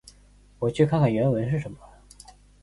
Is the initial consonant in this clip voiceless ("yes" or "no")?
no